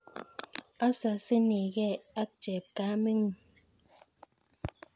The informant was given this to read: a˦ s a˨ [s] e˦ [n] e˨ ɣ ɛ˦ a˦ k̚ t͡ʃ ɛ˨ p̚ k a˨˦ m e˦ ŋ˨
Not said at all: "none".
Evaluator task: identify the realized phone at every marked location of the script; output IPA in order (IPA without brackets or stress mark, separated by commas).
s, n